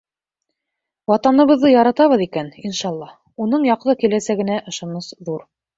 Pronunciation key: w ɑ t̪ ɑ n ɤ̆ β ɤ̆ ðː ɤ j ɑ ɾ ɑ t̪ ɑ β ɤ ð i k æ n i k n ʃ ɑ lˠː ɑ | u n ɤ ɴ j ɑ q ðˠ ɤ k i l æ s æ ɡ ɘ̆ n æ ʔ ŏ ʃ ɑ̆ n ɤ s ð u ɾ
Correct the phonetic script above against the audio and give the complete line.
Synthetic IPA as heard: w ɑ t̪ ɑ n ɤ̆ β ɤ̆ ðː ɤ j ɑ ɾ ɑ t̪ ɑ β ɤ ð i k æ n i n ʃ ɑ lˠː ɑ | u n ɤ ɴ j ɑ q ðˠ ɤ k i l æ s æ ɡ ɘ̆ n æ ʔ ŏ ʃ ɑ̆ n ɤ s ð u ɾ